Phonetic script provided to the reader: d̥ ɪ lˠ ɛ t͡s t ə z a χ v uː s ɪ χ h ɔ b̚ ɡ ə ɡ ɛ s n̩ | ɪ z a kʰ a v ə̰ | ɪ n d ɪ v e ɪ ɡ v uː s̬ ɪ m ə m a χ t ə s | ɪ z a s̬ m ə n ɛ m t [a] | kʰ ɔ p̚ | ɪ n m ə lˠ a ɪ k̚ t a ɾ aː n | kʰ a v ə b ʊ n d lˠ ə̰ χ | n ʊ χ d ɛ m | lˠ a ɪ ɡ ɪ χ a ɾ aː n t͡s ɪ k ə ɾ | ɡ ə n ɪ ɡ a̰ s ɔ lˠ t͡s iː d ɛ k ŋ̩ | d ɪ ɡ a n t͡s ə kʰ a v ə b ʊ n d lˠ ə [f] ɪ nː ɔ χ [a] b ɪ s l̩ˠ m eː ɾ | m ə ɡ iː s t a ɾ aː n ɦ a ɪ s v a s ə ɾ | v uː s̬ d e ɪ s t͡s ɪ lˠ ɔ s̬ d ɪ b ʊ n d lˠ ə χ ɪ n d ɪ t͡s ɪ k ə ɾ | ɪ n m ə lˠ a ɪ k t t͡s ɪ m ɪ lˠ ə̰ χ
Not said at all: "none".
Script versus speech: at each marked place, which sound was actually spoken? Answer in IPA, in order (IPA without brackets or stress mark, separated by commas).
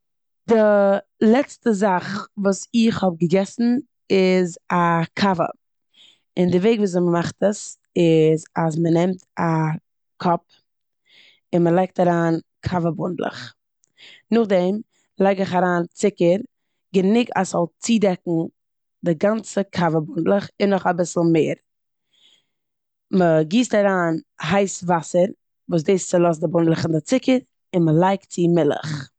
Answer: a, χ, a